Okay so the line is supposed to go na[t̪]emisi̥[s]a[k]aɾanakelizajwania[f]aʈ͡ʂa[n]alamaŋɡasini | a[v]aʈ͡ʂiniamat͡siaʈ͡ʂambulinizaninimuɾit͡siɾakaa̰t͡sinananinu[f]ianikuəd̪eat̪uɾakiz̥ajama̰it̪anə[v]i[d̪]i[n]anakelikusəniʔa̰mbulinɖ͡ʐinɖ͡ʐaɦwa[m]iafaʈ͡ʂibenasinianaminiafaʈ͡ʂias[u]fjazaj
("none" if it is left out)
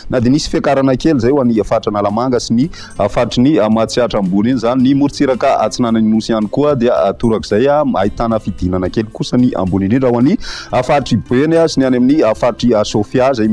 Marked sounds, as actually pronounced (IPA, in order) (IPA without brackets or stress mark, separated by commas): d̪, f, k, f, n, f, s, f, d̪, n, n, o